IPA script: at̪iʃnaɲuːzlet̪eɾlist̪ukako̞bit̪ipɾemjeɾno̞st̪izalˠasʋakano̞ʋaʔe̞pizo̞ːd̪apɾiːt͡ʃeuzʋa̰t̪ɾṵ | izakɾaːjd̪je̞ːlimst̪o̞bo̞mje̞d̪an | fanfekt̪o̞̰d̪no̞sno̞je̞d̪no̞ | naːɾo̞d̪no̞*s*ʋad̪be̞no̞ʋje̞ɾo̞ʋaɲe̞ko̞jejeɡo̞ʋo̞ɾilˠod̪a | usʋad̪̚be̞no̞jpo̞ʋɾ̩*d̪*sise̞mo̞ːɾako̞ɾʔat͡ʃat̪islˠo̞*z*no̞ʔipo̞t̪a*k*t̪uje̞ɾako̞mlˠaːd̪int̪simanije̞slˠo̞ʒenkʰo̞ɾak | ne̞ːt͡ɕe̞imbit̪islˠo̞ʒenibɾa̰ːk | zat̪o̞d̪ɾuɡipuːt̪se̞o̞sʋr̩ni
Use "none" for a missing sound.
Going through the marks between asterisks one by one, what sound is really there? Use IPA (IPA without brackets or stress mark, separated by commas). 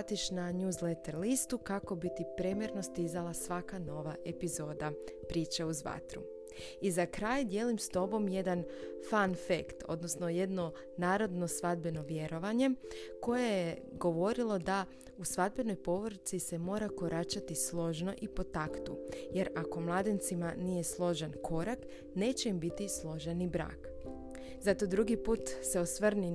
s, t̪, ʒ, k